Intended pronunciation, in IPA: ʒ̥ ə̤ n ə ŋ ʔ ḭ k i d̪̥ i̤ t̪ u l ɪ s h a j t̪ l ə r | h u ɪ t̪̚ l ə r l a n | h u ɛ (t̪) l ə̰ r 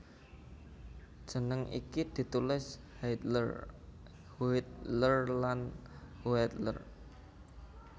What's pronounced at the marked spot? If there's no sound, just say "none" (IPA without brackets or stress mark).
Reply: t̪